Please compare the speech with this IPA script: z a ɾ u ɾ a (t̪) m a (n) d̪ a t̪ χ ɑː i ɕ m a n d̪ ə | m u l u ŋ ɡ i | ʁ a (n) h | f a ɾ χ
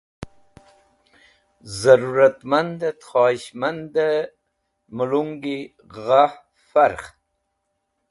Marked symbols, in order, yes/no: yes, yes, no

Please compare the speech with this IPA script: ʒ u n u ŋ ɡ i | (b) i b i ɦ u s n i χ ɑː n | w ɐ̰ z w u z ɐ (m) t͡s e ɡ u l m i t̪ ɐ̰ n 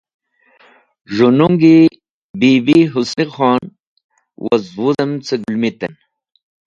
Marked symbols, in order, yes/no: yes, yes

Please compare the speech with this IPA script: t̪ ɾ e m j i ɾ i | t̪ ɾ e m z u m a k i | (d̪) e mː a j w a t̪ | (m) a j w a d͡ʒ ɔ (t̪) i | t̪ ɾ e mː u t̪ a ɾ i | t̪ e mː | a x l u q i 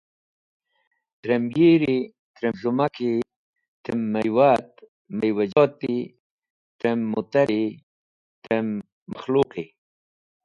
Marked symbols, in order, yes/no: no, yes, yes

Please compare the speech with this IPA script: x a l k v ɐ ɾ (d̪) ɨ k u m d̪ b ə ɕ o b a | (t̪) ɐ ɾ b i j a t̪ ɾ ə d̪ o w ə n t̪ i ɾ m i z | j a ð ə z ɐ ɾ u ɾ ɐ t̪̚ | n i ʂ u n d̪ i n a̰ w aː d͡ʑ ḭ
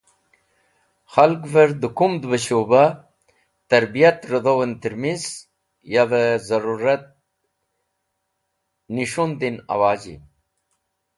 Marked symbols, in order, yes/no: yes, yes

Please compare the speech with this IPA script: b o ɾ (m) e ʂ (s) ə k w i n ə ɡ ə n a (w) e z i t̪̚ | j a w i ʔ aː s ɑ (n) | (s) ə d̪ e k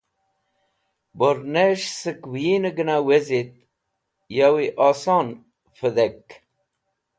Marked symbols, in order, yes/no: no, yes, yes, yes, no

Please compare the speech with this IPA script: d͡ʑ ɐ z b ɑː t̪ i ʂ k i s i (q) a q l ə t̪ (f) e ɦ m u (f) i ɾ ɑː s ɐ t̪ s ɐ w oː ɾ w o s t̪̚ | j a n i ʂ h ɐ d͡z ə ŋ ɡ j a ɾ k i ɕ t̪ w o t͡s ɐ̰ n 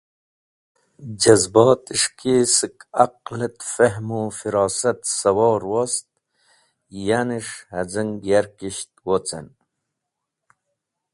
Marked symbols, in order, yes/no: no, yes, yes

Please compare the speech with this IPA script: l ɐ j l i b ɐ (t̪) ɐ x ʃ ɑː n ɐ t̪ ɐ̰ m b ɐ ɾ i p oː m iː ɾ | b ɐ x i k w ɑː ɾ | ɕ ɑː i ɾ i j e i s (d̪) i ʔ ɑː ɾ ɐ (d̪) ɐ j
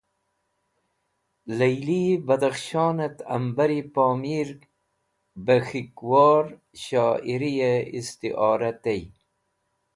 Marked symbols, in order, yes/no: no, no, no

